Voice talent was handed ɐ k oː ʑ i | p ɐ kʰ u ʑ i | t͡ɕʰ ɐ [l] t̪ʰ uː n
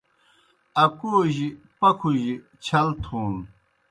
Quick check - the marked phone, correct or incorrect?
correct